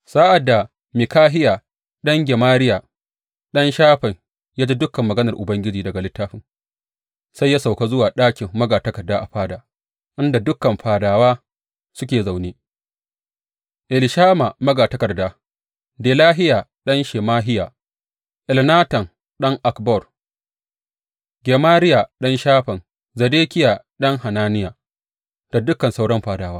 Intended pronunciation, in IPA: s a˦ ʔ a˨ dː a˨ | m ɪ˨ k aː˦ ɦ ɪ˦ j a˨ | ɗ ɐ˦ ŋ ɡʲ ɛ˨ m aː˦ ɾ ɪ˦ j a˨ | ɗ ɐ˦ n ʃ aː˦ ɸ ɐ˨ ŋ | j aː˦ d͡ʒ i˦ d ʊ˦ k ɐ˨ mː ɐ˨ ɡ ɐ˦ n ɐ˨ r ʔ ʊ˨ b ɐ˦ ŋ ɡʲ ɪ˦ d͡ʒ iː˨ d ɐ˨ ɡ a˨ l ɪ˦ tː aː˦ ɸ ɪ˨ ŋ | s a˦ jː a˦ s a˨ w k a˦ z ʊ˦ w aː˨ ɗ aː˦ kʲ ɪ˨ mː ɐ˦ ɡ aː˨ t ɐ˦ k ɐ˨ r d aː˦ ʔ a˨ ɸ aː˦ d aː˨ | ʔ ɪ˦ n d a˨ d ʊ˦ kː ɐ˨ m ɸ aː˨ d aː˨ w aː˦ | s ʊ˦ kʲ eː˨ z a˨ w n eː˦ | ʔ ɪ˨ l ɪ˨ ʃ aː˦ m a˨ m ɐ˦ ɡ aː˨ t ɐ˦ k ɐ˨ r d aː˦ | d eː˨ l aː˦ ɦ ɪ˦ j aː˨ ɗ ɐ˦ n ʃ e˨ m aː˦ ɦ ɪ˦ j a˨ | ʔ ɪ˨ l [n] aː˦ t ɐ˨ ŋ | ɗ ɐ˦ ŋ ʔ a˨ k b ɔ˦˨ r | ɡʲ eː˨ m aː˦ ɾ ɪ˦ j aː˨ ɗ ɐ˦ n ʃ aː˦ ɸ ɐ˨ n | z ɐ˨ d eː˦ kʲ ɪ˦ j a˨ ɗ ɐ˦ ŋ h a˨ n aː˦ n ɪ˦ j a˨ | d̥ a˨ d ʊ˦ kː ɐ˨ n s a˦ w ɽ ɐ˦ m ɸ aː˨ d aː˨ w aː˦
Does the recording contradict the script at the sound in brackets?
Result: no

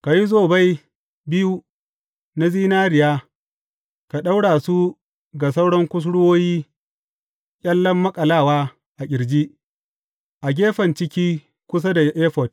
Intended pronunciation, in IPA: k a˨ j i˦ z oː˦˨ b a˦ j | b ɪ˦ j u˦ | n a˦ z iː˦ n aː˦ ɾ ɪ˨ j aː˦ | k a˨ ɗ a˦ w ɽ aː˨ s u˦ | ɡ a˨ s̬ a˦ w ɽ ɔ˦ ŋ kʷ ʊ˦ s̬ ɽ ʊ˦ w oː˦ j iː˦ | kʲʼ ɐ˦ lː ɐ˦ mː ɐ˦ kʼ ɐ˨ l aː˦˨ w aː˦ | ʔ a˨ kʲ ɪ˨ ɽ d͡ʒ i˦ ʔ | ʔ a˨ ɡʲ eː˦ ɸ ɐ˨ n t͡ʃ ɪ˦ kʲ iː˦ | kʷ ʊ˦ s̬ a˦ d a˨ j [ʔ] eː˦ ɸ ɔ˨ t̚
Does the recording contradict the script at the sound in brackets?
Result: no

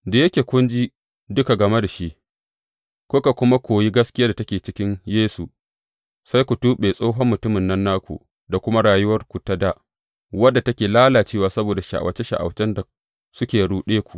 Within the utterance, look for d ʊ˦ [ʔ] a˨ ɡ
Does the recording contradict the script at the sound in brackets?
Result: yes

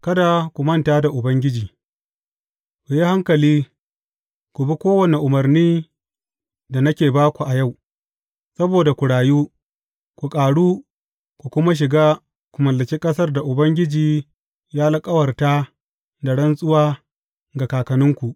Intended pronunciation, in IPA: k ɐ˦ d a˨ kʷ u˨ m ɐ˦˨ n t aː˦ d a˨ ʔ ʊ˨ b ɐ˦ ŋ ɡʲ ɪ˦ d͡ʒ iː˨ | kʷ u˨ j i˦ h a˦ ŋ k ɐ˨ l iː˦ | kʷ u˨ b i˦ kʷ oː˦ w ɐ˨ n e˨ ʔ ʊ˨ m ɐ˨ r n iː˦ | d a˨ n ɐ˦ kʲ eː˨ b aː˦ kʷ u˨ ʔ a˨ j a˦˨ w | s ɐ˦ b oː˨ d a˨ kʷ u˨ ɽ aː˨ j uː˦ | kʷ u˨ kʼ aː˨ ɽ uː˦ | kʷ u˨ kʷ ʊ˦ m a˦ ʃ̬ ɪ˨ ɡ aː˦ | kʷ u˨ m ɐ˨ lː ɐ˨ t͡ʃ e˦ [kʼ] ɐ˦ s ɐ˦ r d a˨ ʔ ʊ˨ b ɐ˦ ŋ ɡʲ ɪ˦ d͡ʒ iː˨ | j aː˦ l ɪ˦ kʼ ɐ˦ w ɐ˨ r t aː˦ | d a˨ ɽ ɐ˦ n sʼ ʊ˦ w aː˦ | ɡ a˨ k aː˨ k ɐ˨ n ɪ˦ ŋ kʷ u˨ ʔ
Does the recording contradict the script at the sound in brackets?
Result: no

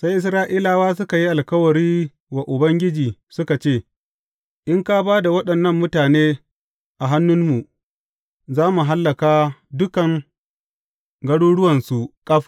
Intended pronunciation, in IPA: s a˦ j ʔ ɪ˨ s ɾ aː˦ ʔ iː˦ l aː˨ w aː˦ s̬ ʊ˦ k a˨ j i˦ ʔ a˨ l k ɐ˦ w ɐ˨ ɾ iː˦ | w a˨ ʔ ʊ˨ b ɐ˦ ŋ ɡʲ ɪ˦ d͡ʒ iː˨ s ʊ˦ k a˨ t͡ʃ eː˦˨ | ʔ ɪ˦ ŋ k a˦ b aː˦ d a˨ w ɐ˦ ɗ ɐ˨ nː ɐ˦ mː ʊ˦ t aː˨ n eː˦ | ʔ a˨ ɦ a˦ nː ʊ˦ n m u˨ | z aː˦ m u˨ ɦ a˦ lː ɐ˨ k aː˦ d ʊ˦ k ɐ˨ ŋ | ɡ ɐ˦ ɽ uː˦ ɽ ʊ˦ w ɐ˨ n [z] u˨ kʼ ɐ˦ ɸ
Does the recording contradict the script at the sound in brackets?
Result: yes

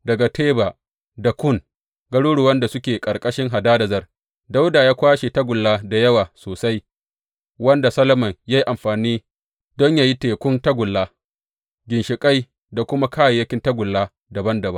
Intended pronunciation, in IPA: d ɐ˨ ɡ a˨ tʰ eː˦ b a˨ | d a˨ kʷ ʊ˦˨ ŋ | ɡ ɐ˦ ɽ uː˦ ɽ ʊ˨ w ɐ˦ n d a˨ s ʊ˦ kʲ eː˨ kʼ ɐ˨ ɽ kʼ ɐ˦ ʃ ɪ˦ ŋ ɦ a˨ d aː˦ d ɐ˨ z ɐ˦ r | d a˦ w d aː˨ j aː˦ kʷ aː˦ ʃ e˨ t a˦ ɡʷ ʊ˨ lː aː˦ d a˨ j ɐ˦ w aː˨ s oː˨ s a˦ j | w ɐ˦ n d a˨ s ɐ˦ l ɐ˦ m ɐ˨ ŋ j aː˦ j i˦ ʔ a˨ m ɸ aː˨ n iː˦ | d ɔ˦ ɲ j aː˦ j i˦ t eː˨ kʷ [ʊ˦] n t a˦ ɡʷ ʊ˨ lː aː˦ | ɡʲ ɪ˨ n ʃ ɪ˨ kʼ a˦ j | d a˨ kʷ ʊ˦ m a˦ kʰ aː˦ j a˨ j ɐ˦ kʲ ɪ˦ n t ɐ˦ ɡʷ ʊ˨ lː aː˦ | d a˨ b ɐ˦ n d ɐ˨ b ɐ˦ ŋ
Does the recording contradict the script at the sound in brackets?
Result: no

